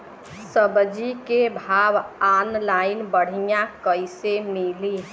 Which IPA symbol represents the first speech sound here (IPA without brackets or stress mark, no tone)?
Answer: s